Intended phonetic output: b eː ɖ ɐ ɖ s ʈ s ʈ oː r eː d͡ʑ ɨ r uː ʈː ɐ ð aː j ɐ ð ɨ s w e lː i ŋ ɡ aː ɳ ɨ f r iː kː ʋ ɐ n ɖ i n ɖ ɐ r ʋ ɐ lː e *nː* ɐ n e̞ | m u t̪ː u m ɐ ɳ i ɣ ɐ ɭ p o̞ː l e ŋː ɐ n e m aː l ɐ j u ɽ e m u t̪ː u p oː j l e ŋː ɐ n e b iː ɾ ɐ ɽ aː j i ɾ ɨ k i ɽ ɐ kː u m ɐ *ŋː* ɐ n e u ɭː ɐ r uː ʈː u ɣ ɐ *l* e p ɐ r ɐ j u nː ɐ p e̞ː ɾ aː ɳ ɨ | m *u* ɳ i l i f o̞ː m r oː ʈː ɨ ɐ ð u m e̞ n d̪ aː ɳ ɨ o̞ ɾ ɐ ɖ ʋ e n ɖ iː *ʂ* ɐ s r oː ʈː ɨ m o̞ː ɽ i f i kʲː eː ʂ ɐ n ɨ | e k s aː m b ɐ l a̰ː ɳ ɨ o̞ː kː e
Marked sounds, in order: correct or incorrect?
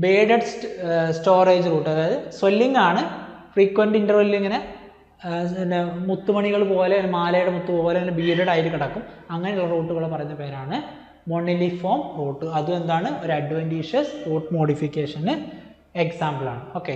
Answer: incorrect, correct, incorrect, incorrect, correct

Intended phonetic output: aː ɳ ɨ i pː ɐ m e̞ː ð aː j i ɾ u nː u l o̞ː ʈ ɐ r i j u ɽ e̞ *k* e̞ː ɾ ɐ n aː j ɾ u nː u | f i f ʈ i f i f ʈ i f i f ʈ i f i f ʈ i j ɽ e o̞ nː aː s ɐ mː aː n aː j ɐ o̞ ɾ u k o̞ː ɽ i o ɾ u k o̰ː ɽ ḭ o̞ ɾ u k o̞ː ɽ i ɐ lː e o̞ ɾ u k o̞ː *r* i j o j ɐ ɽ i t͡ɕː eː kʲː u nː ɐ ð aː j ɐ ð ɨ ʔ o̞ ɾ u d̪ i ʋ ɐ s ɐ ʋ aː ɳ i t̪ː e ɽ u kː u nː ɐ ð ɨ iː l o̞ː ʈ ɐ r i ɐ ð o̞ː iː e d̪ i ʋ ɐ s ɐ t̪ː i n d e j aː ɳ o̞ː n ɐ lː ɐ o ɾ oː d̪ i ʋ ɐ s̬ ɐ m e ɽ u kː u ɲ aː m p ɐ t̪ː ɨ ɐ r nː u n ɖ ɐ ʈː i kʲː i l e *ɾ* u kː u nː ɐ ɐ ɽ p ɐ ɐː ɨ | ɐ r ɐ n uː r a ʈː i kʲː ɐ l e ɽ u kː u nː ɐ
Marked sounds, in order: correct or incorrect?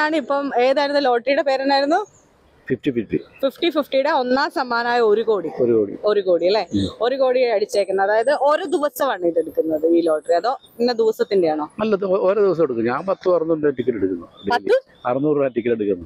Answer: incorrect, incorrect, incorrect

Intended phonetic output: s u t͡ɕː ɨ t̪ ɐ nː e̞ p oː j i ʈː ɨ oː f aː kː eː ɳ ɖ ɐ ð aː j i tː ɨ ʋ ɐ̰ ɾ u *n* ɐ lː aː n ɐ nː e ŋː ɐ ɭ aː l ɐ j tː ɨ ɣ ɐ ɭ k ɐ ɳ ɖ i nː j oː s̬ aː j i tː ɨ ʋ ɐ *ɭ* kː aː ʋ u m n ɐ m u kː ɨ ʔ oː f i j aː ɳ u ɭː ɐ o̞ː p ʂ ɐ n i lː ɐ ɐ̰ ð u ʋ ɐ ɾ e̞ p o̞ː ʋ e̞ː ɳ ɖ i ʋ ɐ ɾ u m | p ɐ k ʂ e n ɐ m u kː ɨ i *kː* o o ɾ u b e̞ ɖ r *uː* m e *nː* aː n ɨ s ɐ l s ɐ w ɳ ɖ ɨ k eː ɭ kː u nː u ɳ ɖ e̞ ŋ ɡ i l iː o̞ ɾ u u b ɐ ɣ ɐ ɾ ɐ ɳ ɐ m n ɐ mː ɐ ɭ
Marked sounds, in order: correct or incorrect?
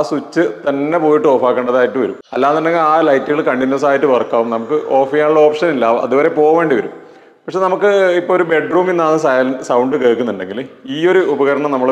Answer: incorrect, incorrect, incorrect, correct, correct

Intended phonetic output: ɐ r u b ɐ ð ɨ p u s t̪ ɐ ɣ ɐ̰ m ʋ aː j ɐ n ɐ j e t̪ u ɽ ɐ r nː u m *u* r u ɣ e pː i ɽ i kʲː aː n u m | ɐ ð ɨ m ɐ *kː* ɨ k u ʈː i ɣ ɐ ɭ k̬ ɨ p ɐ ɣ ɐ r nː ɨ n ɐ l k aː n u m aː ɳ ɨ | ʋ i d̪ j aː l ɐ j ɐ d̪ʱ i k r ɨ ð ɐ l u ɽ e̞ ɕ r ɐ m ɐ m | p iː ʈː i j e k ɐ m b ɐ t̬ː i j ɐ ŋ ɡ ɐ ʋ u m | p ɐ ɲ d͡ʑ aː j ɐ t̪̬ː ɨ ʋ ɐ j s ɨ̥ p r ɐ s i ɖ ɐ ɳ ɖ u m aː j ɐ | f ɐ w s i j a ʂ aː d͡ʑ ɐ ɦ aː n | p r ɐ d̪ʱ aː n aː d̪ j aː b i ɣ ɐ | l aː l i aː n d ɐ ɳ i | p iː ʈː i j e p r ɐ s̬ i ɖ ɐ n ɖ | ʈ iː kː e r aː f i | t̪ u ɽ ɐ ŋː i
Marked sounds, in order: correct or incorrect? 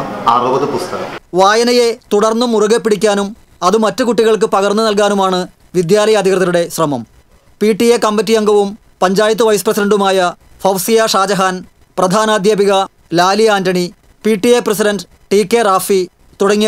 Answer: correct, incorrect

